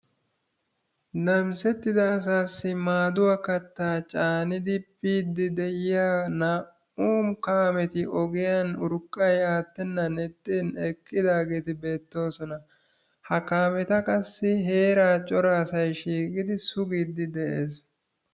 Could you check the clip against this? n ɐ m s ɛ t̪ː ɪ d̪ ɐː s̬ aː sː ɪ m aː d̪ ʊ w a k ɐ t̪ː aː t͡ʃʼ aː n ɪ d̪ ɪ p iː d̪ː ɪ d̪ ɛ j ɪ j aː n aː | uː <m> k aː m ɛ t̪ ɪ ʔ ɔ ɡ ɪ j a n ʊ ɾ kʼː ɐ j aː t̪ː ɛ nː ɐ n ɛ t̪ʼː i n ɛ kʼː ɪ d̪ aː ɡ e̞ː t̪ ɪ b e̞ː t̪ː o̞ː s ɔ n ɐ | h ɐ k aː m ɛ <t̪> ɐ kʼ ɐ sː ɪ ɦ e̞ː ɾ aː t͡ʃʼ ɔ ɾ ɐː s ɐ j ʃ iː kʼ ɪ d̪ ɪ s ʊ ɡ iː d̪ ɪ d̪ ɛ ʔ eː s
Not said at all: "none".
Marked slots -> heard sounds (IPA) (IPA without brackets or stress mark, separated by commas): m, t̪